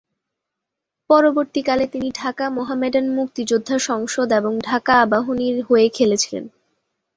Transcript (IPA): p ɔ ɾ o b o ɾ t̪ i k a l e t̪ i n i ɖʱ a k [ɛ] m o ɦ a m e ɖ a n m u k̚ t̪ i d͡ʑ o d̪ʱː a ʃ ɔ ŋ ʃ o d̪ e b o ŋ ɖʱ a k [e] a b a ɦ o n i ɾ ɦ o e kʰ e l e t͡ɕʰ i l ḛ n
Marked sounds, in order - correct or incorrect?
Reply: incorrect: a, incorrect: a

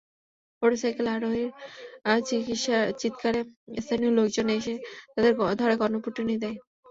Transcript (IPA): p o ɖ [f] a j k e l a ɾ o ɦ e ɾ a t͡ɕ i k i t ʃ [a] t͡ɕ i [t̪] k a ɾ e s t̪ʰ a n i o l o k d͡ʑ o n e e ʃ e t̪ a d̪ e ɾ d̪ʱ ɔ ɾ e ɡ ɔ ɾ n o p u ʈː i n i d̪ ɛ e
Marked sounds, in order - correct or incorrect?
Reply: incorrect: s, correct, correct

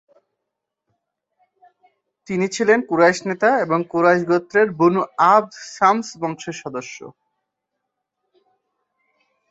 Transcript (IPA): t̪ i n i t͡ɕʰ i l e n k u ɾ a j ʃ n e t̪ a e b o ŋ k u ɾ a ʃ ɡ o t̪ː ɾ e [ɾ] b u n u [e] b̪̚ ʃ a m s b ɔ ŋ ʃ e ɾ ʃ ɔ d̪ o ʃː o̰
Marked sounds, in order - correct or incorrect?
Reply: correct, incorrect: a

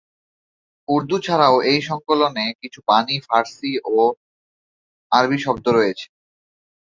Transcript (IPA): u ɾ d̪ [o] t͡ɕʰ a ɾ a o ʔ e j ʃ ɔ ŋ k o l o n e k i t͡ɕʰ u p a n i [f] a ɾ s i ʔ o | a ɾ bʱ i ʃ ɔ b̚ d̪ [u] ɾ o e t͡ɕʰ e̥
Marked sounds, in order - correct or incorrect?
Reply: incorrect: u, correct, incorrect: o

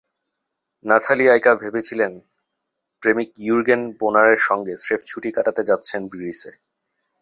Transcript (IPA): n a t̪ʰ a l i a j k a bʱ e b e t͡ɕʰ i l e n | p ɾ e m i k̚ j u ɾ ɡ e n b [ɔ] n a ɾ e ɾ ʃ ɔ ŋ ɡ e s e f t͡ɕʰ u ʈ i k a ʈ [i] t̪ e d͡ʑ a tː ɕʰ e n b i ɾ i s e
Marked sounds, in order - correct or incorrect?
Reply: incorrect: o, incorrect: a

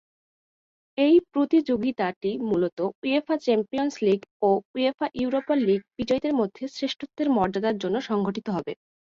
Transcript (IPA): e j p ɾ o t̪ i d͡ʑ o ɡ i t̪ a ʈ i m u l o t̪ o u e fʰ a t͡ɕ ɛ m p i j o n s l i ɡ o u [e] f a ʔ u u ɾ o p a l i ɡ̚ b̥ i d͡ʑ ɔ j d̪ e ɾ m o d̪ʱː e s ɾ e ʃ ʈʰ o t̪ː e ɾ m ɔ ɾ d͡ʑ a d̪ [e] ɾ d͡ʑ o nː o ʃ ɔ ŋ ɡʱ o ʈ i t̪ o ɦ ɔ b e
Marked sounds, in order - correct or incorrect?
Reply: correct, incorrect: a

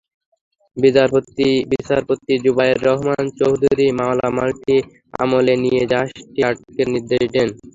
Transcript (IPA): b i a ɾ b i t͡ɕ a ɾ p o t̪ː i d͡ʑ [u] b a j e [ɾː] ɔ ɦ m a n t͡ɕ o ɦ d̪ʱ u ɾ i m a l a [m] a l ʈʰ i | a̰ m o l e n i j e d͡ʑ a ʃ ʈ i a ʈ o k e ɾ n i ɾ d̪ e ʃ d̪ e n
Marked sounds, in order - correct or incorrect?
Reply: correct, correct, correct

